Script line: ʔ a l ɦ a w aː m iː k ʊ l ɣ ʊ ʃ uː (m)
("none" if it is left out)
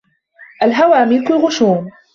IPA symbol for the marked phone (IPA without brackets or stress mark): m